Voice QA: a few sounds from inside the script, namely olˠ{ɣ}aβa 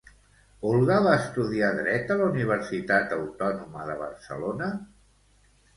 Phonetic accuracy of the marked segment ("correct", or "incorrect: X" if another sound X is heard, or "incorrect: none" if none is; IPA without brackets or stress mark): correct